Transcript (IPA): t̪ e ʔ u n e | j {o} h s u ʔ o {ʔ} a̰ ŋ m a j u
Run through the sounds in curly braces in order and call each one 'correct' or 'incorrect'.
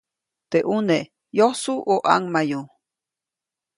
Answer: correct, correct

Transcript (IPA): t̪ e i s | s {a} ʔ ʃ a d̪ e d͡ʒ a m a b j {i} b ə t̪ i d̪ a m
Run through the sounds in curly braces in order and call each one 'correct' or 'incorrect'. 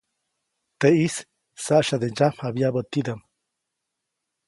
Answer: correct, incorrect

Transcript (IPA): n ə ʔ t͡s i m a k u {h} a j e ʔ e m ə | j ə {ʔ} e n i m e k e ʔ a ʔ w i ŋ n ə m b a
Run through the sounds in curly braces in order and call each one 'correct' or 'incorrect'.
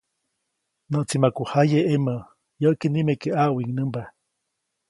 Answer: correct, incorrect

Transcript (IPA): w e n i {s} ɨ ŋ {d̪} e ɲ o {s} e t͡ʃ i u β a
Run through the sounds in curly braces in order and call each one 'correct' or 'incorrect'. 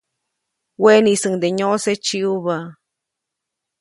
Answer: correct, correct, correct

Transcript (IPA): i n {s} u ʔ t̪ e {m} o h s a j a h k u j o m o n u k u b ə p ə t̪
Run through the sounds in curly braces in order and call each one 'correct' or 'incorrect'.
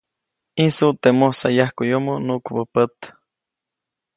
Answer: correct, correct

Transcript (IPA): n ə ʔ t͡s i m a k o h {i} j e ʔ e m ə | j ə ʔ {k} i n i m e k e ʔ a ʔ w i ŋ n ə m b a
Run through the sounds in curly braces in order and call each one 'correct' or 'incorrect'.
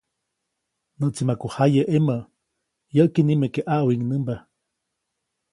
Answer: incorrect, correct

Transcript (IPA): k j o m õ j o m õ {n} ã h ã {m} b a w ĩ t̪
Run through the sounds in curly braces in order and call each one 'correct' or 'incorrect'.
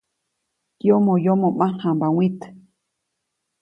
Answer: incorrect, correct

